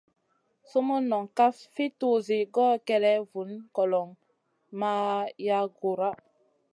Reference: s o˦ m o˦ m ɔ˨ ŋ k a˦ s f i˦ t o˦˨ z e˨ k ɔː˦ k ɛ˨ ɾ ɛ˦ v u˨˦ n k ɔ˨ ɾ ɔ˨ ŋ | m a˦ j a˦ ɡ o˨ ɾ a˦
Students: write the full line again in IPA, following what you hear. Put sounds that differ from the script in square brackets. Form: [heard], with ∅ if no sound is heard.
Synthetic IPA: s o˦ m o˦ [n] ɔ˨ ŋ k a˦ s f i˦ t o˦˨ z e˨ [ɡ] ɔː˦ k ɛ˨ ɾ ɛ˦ v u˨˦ n k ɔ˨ [l] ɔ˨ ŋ | m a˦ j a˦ ɡ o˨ ɾ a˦